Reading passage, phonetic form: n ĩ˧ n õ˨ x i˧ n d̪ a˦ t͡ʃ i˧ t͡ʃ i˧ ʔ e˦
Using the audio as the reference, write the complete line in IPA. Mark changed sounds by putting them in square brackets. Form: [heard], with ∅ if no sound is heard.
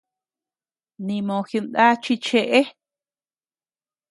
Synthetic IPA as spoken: n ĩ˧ [m] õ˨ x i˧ n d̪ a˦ t͡ʃ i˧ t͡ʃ [e˧] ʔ e˦

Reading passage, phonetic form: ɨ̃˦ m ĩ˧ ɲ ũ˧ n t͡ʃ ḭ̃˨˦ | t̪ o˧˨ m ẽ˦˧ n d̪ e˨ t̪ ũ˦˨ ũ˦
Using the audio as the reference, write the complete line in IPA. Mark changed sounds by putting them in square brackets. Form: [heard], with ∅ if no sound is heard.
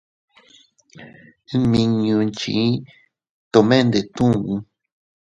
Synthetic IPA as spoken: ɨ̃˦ m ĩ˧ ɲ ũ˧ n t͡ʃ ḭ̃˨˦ | t̪ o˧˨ m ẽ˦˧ n d̪ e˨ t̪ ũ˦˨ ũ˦

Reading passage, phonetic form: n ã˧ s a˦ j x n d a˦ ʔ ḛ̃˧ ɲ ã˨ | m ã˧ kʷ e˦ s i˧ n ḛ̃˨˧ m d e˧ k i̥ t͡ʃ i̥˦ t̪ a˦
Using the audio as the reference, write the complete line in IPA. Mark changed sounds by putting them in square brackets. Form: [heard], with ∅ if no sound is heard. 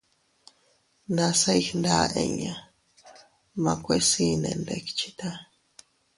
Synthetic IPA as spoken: n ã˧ s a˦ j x n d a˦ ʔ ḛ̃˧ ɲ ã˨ | m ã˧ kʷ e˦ s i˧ n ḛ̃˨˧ [n] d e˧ k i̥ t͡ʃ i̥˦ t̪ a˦

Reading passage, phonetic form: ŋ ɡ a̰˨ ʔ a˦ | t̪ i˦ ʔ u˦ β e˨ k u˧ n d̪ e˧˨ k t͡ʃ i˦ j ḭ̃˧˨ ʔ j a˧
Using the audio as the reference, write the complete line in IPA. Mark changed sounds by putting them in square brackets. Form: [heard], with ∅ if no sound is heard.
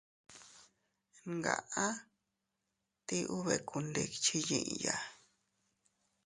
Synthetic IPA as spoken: ŋ ɡ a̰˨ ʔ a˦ | t̪ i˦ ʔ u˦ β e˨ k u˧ n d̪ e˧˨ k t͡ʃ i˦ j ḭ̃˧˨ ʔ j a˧

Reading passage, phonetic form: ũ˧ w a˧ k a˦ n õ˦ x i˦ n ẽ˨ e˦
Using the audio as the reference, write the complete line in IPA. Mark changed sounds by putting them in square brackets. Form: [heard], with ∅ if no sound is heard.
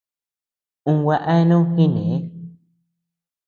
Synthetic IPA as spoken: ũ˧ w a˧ [ʔ] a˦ n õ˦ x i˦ n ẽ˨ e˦

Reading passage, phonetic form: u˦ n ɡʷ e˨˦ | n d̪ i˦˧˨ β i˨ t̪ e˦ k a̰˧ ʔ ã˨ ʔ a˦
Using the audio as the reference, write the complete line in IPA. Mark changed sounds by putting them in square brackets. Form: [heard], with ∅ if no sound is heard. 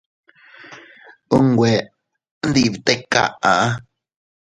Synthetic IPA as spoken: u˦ [ŋ] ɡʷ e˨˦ | n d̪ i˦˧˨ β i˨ t̪ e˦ k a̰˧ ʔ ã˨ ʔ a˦

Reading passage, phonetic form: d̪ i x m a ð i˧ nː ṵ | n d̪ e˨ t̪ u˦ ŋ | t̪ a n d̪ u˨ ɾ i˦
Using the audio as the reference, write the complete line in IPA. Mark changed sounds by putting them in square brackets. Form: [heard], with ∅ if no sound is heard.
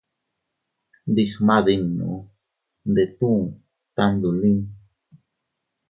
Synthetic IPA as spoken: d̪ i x m a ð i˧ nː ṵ | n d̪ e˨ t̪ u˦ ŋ | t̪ a n d̪ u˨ [l] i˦

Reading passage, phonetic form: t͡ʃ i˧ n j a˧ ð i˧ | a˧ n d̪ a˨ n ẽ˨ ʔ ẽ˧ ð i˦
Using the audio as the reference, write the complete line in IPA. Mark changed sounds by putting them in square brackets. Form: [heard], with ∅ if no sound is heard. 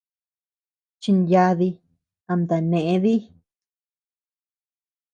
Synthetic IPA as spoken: t͡ʃ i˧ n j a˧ ð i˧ | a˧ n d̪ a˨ n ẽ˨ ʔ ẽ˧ ð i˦

